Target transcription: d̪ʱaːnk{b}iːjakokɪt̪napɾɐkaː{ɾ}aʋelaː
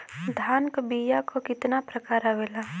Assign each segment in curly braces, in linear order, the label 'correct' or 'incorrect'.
correct, correct

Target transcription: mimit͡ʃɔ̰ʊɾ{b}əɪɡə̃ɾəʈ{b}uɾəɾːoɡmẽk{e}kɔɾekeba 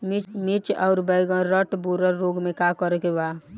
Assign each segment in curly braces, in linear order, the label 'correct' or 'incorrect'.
correct, correct, incorrect: a

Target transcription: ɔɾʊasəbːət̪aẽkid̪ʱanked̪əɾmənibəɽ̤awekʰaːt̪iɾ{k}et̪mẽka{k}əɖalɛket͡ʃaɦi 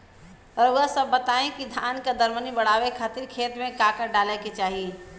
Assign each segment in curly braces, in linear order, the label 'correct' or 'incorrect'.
incorrect: kʰ, correct

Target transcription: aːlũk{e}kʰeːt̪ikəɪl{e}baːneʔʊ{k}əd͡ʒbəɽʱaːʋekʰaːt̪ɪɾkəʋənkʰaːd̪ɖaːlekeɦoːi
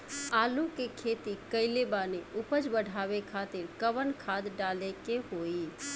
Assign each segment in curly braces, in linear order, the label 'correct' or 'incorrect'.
correct, correct, incorrect: p

